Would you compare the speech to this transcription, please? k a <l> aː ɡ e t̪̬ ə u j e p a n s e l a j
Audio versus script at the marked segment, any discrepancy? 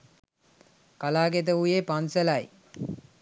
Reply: no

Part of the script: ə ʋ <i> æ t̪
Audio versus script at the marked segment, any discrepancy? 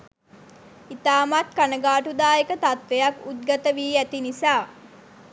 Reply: yes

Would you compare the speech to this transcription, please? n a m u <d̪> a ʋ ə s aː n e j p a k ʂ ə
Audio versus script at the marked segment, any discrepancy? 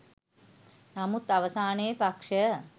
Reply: yes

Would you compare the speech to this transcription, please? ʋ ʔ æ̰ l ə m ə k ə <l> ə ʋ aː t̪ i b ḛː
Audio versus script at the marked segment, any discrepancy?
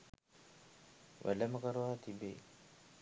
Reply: yes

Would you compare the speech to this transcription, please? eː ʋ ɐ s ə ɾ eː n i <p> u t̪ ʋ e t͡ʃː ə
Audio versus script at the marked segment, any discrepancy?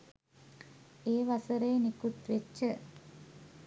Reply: yes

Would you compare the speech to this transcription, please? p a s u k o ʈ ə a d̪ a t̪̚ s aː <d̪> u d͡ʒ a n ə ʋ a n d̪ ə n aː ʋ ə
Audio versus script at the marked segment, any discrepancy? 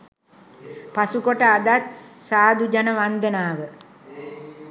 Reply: no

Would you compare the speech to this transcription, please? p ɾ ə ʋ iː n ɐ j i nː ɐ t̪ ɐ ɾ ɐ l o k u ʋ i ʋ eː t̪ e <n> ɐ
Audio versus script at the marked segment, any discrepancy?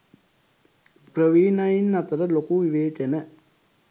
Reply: no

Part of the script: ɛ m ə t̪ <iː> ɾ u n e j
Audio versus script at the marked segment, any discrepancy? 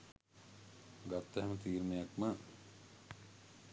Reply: no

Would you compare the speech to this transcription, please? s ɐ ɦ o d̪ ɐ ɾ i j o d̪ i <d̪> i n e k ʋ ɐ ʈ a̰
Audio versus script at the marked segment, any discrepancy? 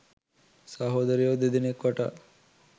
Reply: no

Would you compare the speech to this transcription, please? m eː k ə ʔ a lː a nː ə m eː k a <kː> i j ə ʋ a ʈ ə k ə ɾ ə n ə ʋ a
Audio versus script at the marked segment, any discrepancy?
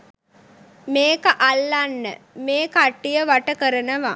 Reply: yes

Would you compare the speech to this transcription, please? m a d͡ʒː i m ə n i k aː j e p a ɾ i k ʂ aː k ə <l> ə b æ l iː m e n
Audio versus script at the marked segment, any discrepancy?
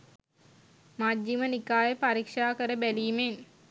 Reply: yes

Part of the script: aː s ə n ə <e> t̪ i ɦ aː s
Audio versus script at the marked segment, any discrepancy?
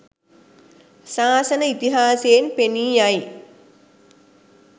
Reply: yes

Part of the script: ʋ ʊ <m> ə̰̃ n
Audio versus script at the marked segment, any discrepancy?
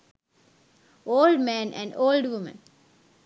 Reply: no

